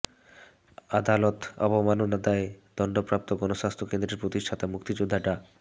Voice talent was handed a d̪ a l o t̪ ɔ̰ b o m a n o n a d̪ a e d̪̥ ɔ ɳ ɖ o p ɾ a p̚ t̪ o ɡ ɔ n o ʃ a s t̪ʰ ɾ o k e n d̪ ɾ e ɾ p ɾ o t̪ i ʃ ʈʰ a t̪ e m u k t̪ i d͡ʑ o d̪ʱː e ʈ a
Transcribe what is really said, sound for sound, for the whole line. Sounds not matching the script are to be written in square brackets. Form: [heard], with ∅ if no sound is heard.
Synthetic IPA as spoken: a d̪ a l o t̪ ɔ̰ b o m a n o n a d̪ a e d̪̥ ɔ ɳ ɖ o p ɾ a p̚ t̪ o ɡ ɔ n o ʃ a s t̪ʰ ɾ o k e n d̪ ɾ e ɾ p ɾ o t̪ i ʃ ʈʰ a t̪ [a] m u k t̪ i d͡ʑ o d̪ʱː [a] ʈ a